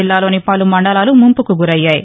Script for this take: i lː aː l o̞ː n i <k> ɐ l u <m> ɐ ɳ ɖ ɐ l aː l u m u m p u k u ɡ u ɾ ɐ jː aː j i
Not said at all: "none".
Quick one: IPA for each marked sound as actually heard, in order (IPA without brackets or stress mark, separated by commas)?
p, m